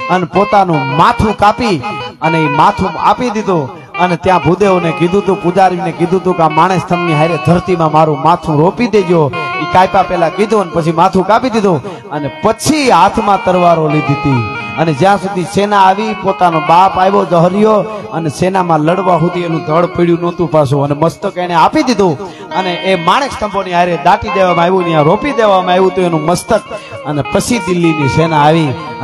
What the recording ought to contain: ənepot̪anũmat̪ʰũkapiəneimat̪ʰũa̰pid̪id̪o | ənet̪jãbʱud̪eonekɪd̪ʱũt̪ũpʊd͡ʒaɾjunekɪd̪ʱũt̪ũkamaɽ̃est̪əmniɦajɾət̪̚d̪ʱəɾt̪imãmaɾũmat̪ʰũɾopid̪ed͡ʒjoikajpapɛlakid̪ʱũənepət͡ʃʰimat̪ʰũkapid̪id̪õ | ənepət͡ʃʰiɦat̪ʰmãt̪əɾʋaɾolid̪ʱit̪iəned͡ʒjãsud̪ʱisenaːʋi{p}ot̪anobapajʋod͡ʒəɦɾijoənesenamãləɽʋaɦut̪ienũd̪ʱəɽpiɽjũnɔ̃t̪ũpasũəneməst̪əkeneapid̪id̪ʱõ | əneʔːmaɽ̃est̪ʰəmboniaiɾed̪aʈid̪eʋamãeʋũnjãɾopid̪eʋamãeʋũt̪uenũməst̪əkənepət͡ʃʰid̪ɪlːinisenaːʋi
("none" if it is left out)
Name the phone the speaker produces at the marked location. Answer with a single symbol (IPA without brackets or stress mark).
p